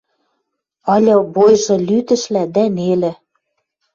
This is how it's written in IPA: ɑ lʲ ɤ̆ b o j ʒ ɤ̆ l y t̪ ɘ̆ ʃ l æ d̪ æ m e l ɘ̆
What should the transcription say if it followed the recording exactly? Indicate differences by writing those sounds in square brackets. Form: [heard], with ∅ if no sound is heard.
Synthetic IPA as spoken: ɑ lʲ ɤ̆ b o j ʒ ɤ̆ l y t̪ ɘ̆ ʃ l æ d̪ æ [n] e l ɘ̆

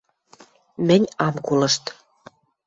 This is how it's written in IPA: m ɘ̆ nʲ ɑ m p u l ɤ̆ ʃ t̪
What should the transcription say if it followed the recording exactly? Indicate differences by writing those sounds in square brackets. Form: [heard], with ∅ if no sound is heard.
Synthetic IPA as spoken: m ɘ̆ nʲ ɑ m [k] u l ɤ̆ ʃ t̪

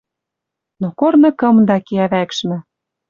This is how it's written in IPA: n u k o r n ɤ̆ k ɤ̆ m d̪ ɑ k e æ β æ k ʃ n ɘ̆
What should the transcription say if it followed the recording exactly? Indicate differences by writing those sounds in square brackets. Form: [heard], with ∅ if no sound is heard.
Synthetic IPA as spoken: n [o] k o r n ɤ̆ k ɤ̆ m d̪ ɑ k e æ β æ k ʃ [m] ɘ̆

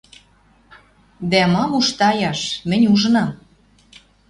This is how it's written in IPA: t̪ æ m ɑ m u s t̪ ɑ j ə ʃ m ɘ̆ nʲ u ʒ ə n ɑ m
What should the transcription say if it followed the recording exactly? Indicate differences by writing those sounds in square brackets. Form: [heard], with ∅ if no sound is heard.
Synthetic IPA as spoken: [d̪] æ m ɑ m u [ʃ] t̪ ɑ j [ɑ] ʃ m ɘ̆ nʲ u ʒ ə n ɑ m

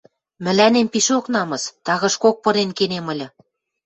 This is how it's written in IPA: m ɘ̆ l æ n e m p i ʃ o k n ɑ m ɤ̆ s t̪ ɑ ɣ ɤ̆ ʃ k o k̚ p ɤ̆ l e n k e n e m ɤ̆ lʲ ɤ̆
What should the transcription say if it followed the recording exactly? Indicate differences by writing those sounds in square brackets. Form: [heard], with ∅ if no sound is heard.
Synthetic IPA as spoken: m ɘ̆ l æ n e m p i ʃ o k n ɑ m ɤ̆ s t̪ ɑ ɣ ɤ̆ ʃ k o k̚ p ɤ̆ [ɾ] e n k e n e m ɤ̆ lʲ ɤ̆

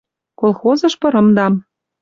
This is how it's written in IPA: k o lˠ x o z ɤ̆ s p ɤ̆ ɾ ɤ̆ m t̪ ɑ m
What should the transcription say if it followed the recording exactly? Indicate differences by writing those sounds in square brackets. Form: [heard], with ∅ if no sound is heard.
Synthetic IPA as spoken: k o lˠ x o z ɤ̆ [ʃ] p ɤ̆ ɾ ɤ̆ m [d̪] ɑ m

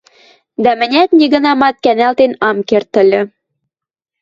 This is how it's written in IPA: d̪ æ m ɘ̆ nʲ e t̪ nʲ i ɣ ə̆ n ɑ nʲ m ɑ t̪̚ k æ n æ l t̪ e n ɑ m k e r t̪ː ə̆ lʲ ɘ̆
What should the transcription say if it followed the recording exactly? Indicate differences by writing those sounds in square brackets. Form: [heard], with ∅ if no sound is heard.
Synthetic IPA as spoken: d̪ æ m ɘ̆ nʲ [æ] t̪ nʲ i ɣ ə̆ n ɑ [∅] m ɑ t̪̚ k æ n æ l t̪ e n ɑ m k e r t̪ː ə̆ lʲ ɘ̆

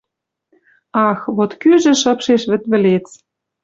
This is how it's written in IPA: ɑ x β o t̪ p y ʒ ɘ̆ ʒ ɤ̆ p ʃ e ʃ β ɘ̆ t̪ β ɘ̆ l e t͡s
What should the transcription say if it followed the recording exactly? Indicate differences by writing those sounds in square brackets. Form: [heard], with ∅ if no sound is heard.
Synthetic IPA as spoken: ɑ x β o t̪ [k] y ʒ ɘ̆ [ʃ] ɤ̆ p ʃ e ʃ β ɘ̆ t̪ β ɘ̆ l e t͡s

